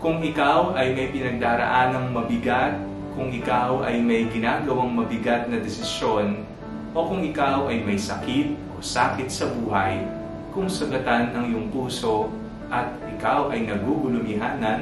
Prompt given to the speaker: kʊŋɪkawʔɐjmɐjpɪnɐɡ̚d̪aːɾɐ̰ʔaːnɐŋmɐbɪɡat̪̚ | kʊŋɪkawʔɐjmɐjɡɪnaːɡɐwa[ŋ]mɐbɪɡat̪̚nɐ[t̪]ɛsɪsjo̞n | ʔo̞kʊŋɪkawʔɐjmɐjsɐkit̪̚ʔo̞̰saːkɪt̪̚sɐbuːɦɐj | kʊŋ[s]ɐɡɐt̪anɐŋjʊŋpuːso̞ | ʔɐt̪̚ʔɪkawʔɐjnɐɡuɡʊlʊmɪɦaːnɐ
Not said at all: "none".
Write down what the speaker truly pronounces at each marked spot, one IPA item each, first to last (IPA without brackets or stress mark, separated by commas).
ŋ, d̪, s